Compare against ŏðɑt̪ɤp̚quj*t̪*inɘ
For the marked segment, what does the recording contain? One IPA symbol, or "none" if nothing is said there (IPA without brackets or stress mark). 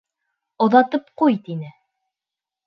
t̪